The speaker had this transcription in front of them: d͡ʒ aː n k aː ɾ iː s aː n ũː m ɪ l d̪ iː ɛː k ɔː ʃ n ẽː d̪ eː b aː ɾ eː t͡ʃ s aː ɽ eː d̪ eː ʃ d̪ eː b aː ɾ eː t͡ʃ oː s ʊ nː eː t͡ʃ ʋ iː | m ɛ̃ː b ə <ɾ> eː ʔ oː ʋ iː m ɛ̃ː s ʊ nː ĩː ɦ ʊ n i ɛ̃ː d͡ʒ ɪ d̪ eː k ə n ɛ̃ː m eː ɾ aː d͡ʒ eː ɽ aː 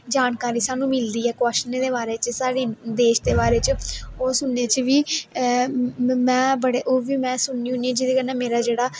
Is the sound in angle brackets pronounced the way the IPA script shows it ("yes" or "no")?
no